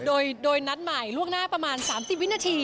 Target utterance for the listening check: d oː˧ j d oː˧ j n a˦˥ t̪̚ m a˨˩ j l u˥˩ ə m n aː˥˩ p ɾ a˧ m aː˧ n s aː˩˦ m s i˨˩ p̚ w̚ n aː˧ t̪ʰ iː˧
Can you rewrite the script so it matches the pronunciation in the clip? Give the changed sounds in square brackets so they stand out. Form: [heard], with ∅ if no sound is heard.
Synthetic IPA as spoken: d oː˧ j d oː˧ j n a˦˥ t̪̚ m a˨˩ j l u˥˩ ə [ŋ] n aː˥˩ p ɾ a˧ m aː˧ n s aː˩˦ m s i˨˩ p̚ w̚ n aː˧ t̪ʰ iː˧